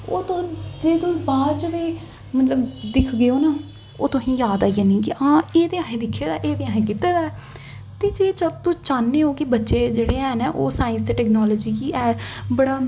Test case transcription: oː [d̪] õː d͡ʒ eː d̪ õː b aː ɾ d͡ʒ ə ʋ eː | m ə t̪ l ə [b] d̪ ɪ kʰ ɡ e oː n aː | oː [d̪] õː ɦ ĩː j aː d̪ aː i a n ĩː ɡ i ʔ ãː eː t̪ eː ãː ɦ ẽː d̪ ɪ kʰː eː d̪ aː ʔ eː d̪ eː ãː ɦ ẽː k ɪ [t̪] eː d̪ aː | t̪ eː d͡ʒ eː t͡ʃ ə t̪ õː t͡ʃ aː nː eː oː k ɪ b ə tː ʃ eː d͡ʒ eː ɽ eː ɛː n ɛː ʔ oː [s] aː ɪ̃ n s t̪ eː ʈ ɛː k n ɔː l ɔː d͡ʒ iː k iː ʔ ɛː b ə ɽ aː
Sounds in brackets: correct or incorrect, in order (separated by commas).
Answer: incorrect, correct, incorrect, correct, correct